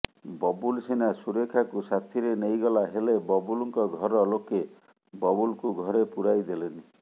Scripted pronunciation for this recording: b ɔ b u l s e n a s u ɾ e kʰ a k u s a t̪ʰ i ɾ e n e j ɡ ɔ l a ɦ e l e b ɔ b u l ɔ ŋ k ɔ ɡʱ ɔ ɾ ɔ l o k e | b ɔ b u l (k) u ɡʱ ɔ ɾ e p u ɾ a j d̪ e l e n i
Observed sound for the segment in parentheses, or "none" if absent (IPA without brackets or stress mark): k